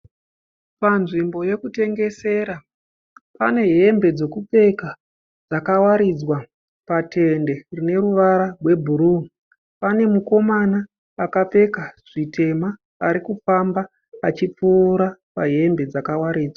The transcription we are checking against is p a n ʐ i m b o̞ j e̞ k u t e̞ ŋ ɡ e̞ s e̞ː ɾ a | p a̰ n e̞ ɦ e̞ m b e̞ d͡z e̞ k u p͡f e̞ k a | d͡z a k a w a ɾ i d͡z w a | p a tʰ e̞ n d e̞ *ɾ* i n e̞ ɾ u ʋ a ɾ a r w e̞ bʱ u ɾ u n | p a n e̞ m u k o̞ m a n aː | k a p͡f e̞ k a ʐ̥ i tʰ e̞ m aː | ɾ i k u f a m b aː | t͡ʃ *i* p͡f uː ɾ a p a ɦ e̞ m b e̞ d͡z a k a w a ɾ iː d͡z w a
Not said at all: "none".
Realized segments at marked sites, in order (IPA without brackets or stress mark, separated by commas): r, i